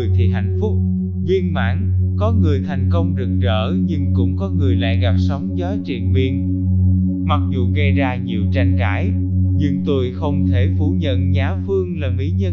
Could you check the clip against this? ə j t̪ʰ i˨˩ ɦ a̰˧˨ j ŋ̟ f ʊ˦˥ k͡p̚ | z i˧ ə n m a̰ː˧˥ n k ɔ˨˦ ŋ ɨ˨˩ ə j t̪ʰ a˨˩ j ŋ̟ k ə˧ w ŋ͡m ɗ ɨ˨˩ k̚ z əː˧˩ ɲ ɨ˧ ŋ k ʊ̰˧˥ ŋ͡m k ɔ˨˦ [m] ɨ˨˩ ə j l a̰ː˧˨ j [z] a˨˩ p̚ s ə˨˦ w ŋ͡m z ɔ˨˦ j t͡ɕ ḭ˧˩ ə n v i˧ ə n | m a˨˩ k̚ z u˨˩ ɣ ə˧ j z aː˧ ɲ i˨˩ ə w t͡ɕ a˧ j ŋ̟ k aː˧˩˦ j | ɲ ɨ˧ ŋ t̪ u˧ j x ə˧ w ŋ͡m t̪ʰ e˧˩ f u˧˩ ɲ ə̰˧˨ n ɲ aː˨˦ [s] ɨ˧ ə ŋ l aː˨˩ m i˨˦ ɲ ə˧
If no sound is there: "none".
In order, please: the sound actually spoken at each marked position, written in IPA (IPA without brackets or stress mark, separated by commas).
ŋ, ɣ, f